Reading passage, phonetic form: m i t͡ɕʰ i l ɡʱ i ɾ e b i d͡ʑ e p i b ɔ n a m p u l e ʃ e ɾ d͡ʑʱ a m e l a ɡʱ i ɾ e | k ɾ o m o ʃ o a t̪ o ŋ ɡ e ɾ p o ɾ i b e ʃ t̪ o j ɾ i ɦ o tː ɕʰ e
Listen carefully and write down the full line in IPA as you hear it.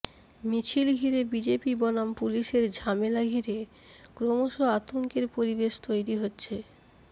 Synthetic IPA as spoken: m i t͡ɕʰ i l ɡʱ i ɾ e b i d͡ʑ e p i b ɔ n a m p u l i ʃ e ɾ d͡ʑʱ a m e l a ɡʱ i ɾ e | k ɾ o m o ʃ o a t̪ o ŋ k e ɾ p o ɾ i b e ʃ t̪ o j ɾ i ɦ o tː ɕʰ e